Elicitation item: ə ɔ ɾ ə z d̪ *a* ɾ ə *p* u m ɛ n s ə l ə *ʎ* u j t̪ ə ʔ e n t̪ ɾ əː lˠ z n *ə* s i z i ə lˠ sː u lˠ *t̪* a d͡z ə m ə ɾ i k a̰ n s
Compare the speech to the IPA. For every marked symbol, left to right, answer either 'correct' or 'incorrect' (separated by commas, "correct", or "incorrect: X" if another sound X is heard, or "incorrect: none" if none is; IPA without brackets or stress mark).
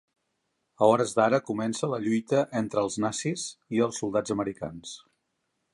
correct, incorrect: k, correct, incorrect: a, incorrect: d̪